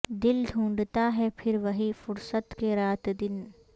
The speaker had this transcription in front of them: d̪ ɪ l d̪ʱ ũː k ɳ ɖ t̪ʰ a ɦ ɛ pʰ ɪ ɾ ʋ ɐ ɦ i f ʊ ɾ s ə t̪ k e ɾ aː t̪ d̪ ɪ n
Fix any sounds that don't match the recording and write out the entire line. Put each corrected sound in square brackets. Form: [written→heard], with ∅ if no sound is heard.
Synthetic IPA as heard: d̪ ɪ l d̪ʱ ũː [k→∅] ɳ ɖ [t̪ʰ→t̪] a ɦ ɛ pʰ ɪ ɾ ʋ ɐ ɦ i f ʊ ɾ s ə t̪ k e ɾ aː t̪ d̪ ɪ n